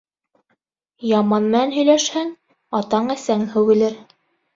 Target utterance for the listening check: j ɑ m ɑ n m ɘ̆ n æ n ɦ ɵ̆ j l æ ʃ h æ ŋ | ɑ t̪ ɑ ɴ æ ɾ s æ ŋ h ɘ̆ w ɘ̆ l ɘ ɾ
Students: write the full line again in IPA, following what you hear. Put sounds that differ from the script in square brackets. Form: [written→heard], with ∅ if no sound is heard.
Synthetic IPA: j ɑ m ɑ n m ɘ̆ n æ n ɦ ɵ̆ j l æ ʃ h æ ŋ | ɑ t̪ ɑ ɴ æ [ɾ→∅] s æ ŋ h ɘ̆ w ɘ̆ l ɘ ɾ